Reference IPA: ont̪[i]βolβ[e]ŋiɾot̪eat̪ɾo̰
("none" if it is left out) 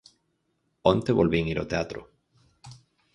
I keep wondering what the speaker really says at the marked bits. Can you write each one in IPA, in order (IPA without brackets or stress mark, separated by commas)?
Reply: e, i